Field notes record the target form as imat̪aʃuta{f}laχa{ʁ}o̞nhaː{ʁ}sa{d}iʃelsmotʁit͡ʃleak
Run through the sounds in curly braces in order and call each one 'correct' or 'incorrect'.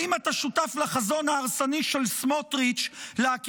correct, incorrect: z, correct, incorrect: n

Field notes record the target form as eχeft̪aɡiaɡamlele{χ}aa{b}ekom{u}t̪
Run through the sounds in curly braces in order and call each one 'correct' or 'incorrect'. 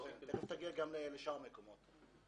incorrect: ʃ, incorrect: m, incorrect: o

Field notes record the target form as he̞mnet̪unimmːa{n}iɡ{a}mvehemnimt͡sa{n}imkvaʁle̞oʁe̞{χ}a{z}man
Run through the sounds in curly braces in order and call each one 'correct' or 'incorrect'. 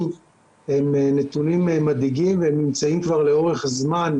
incorrect: d, incorrect: i, incorrect: none, correct, correct

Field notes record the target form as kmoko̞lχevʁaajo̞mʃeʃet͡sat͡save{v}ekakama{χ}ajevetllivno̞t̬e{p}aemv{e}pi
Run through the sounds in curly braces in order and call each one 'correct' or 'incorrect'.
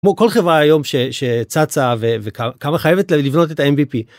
correct, correct, incorrect: t, incorrect: i

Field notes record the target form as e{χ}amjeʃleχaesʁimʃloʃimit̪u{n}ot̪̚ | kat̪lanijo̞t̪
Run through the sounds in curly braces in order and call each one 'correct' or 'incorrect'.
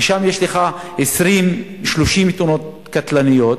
incorrect: ʃ, correct

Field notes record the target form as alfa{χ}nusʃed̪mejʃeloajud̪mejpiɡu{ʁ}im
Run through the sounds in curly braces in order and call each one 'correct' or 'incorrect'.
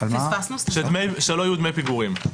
incorrect: s, correct

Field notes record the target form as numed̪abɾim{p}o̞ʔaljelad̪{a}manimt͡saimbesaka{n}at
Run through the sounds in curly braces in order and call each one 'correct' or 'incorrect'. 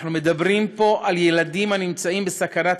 correct, incorrect: i, correct

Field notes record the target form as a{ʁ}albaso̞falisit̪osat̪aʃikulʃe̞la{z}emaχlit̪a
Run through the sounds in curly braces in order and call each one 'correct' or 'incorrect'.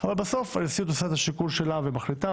incorrect: v, incorrect: v

